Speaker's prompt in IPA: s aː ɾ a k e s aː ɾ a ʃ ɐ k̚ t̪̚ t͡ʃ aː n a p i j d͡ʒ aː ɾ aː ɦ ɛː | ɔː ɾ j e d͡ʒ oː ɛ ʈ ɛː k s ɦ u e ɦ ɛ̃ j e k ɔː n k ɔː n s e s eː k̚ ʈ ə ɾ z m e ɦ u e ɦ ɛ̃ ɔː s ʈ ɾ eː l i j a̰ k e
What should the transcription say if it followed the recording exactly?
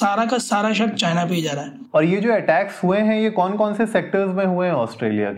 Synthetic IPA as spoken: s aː ɾ a k a s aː ɾ a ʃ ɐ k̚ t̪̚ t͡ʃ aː n a p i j d͡ʒ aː ɾ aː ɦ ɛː | ɔː ɾ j e d͡ʒ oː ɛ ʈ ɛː k s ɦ u e ɦ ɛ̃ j e k ɔː n k ɔː n s e s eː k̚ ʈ ə ɾ z m ẽ ɦ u e ɦ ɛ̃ ɔː s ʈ ɾ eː l i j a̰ k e